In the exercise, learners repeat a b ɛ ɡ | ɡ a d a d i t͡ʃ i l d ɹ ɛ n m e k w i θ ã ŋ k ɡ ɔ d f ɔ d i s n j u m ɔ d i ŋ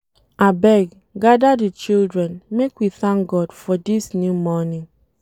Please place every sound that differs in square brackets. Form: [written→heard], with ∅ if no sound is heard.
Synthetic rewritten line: a b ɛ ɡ | ɡ a d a d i t͡ʃ i l d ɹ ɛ n m e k w i θ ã ŋ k ɡ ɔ d f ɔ d i s n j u m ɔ [d→n] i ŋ